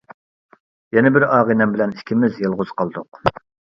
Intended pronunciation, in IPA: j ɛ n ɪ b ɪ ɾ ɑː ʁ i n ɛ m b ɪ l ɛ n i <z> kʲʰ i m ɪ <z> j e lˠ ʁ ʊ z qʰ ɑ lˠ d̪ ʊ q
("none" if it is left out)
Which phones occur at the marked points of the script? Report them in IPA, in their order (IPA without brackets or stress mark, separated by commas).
none, z